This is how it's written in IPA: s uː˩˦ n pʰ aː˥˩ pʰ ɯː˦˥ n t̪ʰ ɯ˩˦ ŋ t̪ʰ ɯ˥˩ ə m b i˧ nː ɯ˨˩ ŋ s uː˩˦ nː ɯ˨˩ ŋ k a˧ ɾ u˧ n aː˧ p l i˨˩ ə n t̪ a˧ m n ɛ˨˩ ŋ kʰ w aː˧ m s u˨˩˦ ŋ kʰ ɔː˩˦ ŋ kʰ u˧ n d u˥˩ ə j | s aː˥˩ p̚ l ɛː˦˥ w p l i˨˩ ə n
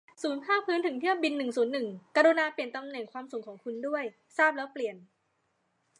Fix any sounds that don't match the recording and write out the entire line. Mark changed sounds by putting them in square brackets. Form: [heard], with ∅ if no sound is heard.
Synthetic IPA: s uː˩˦ n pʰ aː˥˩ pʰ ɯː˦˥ n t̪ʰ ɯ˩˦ ŋ t̪ʰ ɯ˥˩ ə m b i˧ nː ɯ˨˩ ŋ s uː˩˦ nː ɯ˨˩ ŋ k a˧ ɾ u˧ n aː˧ p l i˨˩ ə n t̪ a˧ m n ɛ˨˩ ŋ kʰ w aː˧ m s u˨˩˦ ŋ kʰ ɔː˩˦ ŋ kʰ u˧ n d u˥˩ ə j | s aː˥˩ p̚ l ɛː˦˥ w p l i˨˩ ə n